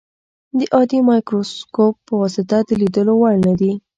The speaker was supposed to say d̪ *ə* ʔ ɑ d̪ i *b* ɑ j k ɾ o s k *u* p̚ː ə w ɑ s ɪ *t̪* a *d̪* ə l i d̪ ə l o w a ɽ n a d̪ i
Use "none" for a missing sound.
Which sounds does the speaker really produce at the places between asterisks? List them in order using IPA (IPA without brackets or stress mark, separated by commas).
ə, m, o, t̪, d̪